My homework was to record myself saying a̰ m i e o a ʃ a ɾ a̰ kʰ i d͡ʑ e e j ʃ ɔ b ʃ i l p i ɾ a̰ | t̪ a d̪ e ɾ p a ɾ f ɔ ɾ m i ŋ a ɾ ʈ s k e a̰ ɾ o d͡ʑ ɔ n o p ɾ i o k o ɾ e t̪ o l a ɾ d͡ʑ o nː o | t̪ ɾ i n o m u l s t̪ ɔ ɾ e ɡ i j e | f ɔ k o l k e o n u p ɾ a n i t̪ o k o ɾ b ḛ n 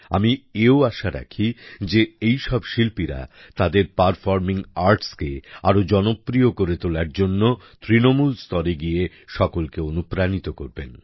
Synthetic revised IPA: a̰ m i e o a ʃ a ɾ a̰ kʰ i d͡ʑ e e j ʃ ɔ b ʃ i l p i ɾ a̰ | t̪ a d̪ e ɾ p a ɾ f ɔ ɾ m i ŋ a ɾ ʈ s k e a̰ ɾ o d͡ʑ ɔ n o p ɾ i o k o ɾ e t̪ o l a ɾ d͡ʑ o nː o | t̪ ɾ i n o m u l s t̪ ɔ ɾ e ɡ i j e | ʃ ɔ k o l k e o n u p ɾ a n i t̪ o k o ɾ b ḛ n